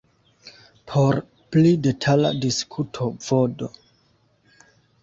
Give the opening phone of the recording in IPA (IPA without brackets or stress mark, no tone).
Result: pʰ